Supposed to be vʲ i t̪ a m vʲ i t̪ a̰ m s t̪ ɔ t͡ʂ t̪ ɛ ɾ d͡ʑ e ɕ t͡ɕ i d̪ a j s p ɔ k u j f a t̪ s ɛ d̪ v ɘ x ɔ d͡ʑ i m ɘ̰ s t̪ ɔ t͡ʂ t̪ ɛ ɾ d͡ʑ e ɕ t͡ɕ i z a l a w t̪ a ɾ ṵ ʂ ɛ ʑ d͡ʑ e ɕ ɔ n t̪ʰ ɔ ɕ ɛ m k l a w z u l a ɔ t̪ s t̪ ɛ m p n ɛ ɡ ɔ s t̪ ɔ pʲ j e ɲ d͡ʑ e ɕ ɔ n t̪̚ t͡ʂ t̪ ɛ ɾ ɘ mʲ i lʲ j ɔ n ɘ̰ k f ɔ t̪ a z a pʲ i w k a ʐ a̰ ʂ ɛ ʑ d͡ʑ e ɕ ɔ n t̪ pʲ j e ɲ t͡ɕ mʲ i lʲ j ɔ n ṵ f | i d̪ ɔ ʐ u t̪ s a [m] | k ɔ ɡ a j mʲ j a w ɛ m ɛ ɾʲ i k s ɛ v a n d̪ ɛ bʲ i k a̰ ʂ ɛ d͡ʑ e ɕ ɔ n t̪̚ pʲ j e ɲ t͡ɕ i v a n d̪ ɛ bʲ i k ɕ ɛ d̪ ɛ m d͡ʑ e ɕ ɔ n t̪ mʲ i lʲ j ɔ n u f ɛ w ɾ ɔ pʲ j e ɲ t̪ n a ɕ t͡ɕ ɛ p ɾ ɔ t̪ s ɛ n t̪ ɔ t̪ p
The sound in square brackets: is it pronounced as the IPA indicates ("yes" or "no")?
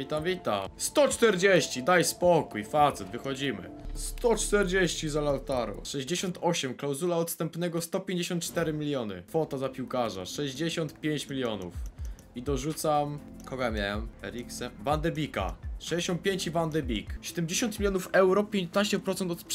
yes